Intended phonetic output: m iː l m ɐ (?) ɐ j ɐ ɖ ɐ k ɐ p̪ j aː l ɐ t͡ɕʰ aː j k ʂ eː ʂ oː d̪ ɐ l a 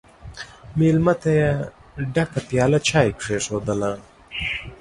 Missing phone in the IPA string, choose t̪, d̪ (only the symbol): t̪